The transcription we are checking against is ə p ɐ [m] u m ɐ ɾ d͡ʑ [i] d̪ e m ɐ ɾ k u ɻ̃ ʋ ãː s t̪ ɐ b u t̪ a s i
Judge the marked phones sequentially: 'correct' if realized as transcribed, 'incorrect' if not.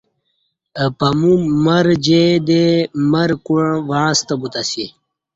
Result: correct, incorrect

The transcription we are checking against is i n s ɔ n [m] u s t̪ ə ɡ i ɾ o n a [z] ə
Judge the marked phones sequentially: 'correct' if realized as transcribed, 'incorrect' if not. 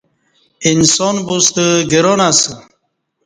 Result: incorrect, incorrect

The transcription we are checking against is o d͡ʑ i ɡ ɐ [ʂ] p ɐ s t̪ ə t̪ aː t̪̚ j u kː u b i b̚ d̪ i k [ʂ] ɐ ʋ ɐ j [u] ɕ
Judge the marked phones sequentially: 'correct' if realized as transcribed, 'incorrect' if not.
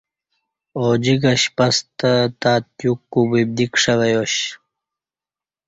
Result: incorrect, correct, incorrect

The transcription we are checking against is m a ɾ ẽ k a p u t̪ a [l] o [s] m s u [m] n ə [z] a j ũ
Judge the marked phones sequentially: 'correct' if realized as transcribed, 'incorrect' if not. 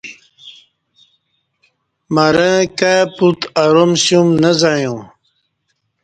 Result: incorrect, incorrect, correct, correct

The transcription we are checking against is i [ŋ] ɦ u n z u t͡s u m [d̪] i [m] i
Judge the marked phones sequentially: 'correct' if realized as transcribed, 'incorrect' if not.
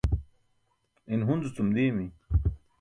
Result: incorrect, correct, correct

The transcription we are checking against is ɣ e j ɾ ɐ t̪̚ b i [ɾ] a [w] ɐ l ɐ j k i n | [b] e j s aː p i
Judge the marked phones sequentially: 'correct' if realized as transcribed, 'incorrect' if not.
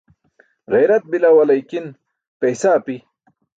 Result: incorrect, correct, incorrect

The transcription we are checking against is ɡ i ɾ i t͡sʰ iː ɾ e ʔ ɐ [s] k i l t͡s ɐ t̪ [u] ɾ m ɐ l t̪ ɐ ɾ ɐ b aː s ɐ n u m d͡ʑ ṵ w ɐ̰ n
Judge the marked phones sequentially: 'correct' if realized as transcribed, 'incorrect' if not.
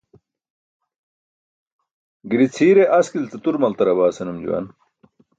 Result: correct, correct

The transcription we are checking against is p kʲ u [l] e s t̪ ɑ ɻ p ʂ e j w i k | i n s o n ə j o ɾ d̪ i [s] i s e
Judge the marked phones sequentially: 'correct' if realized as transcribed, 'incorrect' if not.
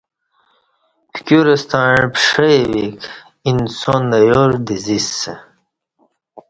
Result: incorrect, incorrect

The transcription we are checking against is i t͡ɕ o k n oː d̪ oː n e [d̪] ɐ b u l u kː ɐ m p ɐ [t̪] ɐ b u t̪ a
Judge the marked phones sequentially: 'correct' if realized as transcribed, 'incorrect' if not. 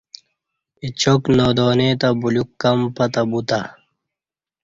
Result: incorrect, correct

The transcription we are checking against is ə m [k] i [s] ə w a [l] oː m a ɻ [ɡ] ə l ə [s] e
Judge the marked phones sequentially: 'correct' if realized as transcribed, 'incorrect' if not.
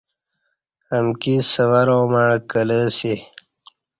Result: correct, correct, incorrect, incorrect, correct

